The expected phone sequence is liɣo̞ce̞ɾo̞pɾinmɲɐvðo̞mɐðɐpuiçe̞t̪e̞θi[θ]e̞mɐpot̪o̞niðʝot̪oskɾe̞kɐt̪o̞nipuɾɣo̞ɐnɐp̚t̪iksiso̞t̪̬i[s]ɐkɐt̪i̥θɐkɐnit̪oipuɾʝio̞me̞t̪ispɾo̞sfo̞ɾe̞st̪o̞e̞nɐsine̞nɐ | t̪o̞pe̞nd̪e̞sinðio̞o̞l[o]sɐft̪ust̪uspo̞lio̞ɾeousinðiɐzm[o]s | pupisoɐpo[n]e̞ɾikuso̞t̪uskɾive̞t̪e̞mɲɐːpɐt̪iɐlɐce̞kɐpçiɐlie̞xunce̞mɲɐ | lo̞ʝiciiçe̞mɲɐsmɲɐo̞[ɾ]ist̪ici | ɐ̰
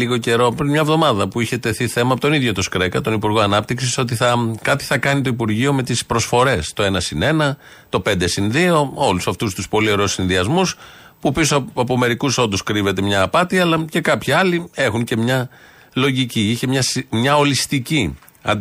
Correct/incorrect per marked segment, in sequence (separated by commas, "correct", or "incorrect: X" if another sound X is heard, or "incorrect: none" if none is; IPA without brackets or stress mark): correct, incorrect: θ, incorrect: u, incorrect: u, incorrect: m, incorrect: l